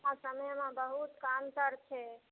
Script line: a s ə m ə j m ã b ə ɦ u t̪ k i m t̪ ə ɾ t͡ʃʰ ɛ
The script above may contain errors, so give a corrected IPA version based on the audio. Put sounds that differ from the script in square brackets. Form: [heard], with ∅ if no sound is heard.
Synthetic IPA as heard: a s ə m ə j m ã b ə ɦ u t̪ k [a] m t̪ ə ɾ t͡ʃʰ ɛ